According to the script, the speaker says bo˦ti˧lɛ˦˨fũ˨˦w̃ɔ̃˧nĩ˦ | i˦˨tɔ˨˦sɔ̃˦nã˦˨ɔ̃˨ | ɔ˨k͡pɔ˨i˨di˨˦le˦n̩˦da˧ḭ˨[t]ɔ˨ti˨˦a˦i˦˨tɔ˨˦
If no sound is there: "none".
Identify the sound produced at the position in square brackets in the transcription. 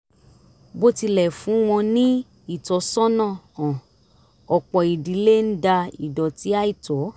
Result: d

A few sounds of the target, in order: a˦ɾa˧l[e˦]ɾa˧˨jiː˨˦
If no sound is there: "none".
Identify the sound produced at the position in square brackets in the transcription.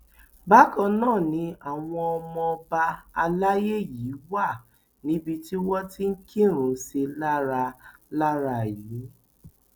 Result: a˦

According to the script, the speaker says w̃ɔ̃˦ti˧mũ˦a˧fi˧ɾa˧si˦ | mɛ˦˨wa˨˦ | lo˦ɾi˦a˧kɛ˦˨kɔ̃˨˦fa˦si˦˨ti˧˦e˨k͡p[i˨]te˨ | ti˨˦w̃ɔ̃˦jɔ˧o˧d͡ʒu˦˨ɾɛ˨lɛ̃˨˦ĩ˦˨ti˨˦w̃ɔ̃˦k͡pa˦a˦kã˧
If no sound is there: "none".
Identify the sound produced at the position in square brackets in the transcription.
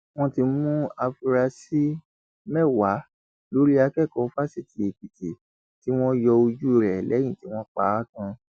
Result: i˨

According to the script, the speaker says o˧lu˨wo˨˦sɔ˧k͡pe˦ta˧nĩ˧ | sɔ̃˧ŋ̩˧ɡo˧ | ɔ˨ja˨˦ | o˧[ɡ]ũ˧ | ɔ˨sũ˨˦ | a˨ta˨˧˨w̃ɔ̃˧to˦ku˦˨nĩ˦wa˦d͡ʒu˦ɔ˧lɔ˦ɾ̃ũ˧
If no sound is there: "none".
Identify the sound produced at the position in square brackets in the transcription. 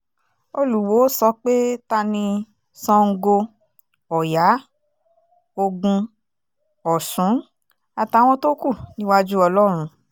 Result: ɡ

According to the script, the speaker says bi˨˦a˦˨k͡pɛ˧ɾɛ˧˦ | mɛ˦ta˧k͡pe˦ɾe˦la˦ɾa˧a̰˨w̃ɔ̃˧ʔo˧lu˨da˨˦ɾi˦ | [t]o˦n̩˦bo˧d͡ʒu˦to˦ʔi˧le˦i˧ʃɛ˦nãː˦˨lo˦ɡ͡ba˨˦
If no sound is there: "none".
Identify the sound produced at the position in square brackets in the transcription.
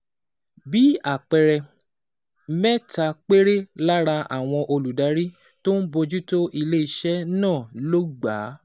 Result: t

